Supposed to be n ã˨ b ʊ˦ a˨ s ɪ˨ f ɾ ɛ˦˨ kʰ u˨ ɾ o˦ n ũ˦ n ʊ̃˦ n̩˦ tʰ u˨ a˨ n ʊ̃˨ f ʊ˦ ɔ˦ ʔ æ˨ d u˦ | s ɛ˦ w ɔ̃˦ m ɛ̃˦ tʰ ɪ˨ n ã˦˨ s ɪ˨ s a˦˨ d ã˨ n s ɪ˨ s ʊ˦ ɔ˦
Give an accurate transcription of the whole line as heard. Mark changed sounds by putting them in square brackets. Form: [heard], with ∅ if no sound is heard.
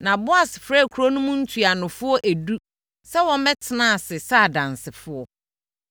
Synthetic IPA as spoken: n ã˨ b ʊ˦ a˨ s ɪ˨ f ɾ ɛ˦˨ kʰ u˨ ɾ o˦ n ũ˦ [m] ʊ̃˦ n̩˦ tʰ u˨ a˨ n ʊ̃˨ f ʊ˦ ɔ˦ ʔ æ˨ d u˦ | s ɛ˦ w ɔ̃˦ m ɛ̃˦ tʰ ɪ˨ n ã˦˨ s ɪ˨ s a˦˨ d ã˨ n s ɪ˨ [f] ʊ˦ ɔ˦